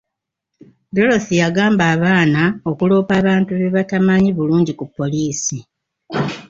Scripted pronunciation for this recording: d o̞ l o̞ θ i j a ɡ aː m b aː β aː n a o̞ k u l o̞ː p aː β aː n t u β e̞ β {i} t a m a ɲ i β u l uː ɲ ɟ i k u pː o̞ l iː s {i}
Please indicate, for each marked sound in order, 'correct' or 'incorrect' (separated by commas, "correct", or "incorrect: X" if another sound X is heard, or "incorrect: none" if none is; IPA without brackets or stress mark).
incorrect: a, correct